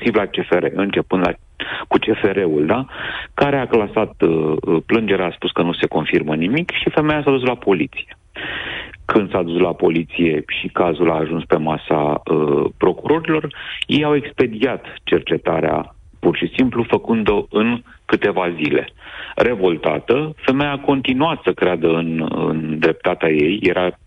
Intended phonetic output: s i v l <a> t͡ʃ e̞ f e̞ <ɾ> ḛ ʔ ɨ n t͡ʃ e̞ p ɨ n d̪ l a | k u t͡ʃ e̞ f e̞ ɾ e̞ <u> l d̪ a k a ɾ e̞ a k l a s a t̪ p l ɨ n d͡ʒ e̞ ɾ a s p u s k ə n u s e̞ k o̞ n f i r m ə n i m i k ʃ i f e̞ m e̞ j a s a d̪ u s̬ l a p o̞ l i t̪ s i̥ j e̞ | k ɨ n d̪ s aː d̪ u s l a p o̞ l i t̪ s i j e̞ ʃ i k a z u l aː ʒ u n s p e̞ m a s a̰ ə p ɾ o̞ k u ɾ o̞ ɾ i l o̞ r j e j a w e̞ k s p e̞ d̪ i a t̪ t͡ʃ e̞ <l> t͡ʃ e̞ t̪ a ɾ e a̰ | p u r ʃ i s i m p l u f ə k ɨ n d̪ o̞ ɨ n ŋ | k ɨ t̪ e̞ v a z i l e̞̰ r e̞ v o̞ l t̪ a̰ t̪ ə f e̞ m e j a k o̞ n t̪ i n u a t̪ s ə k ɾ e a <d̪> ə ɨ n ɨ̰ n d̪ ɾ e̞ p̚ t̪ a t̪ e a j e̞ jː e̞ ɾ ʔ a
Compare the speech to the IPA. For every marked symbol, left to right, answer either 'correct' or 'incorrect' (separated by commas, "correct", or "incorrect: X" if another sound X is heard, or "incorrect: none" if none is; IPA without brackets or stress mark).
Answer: correct, correct, correct, incorrect: r, correct